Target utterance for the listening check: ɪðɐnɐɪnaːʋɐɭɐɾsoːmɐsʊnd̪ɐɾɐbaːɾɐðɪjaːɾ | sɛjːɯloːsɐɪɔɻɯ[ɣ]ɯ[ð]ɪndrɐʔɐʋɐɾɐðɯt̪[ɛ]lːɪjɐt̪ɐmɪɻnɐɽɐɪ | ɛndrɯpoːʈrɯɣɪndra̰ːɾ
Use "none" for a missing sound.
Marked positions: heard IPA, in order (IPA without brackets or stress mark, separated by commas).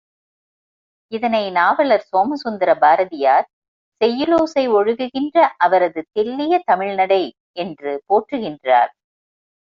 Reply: ɣ, ɣ, ɛ